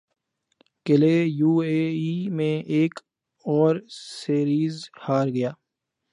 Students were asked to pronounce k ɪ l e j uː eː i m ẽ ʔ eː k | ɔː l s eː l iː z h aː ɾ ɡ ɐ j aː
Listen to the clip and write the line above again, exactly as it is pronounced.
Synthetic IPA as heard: k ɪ l e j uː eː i m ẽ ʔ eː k | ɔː ɾ s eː ɾ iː z h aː ɾ ɡ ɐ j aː